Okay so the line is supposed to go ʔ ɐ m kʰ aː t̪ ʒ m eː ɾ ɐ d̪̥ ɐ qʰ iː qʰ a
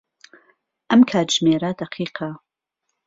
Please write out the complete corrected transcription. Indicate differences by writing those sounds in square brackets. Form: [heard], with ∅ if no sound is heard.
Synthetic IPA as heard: ʔ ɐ m kʰ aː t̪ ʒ m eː ɾ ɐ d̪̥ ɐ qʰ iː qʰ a